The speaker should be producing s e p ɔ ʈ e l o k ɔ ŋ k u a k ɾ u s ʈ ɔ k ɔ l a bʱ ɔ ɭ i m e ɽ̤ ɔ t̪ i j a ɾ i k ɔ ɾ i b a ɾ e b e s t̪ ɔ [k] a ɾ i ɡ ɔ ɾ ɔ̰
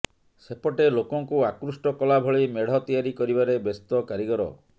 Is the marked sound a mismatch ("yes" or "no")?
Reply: no